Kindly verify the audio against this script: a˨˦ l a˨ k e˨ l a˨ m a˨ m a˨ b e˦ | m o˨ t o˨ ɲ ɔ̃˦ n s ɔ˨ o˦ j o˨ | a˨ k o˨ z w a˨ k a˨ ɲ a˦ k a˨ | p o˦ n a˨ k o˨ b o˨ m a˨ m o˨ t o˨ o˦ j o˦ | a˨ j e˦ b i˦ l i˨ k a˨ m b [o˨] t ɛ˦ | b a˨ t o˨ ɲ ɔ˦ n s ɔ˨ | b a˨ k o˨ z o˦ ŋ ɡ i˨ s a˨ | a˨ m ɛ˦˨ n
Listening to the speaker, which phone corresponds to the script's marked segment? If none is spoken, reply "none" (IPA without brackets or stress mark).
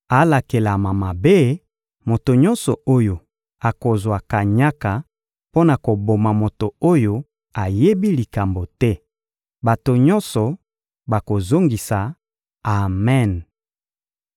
o˨